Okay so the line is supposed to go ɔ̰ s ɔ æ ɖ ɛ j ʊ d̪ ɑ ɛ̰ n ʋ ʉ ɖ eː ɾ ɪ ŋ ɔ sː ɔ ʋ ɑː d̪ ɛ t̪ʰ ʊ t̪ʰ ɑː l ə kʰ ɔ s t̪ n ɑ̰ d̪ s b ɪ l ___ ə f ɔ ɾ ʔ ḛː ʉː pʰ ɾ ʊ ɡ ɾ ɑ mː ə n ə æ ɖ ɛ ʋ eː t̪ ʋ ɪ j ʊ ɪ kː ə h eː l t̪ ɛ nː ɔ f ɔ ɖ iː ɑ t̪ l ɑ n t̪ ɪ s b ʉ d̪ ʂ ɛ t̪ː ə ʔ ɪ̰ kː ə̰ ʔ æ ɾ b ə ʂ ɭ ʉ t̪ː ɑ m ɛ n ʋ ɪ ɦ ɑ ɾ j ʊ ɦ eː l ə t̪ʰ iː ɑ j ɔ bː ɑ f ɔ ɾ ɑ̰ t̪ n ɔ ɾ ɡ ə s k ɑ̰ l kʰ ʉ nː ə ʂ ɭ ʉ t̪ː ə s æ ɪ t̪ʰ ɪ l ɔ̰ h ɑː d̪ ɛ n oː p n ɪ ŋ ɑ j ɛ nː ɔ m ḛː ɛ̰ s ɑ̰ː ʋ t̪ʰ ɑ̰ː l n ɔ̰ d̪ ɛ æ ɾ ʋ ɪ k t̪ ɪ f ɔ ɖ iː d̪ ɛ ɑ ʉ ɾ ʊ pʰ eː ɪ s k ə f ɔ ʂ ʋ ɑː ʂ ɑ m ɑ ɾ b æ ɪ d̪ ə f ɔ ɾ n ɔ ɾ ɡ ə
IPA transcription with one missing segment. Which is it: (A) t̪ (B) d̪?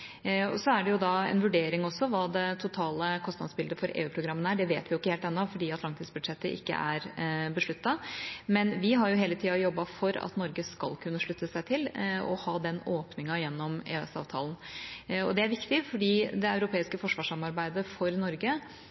B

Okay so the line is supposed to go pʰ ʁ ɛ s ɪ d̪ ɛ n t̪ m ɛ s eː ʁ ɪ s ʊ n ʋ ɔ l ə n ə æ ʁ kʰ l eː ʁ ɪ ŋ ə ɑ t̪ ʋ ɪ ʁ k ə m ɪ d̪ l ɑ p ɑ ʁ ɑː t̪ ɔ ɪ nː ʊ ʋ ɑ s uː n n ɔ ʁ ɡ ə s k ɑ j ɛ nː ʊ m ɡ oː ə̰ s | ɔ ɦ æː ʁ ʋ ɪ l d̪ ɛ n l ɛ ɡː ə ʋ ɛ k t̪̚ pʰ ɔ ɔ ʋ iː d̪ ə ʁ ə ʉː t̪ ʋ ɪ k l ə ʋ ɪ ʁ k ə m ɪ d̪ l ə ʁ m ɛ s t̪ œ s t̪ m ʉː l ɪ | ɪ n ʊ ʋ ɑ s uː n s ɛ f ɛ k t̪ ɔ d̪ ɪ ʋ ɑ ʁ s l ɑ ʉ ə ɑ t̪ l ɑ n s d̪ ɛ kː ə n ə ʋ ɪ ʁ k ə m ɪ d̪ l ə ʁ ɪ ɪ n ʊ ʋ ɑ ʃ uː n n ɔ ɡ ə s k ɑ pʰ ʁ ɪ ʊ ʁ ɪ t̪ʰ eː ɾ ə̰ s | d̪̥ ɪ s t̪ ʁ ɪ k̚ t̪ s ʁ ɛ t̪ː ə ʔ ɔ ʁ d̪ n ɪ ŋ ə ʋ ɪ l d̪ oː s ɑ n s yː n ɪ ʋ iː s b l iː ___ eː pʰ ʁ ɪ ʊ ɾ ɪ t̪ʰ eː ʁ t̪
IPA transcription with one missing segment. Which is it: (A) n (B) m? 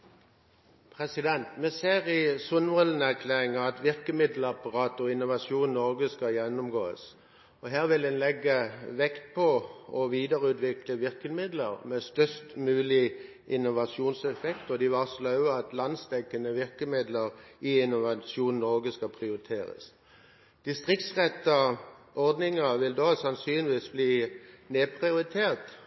A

